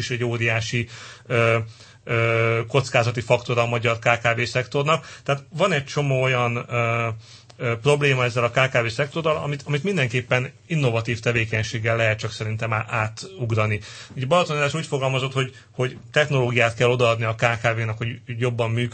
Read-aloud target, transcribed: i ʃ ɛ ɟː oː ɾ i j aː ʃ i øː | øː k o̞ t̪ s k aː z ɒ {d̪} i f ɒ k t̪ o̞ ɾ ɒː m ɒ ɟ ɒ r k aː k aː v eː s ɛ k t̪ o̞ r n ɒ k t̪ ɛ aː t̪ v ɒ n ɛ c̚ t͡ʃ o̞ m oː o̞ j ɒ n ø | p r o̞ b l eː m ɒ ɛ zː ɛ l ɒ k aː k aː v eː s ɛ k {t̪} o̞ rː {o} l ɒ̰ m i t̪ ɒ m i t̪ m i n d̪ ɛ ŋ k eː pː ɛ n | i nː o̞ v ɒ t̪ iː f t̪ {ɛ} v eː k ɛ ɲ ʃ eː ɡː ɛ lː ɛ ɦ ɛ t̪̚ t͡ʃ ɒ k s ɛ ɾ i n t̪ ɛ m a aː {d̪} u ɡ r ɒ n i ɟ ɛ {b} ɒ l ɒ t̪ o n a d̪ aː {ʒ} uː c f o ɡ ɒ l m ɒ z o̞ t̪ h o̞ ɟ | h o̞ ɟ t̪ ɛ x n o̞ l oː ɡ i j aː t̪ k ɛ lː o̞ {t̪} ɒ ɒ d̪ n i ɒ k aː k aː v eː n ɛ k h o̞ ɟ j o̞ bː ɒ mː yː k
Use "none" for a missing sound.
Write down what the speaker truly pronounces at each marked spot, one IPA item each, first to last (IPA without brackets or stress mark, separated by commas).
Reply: t̪, t̪, ɒ, ɛ, t̪, b, ʃ, d̪